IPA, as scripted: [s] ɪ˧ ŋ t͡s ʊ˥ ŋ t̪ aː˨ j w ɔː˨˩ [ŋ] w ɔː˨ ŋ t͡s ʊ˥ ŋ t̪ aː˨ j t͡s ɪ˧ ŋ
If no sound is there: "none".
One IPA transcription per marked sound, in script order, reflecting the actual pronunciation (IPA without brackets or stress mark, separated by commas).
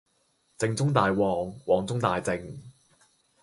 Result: t͡s, ŋ